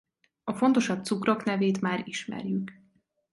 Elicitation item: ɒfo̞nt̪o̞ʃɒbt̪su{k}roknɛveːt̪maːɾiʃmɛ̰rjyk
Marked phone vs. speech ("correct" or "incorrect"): correct